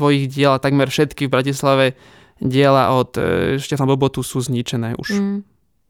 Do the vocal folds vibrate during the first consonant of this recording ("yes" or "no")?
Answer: yes